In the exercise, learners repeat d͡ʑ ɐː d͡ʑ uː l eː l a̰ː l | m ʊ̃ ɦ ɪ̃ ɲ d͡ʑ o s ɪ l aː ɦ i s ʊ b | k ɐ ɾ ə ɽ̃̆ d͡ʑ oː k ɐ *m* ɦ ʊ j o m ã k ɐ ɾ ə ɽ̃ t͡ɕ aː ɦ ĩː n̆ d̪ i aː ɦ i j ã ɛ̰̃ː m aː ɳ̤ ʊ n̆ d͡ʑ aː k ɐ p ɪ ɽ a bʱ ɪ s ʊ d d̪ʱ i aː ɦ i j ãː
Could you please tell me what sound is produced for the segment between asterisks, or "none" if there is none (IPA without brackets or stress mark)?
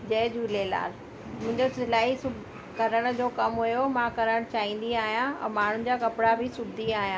m